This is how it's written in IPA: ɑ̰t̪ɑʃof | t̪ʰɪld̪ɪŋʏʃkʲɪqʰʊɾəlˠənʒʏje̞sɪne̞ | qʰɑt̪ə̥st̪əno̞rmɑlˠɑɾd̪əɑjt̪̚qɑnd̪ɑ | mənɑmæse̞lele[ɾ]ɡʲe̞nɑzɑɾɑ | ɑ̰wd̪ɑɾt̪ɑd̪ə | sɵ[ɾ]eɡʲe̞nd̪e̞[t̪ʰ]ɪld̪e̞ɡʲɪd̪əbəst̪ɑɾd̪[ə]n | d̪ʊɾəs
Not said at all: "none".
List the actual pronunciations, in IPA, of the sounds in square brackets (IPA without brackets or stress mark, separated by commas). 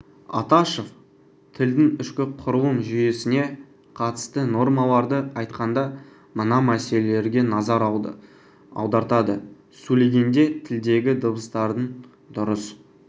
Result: ɾ, l, t̪ʰ, ə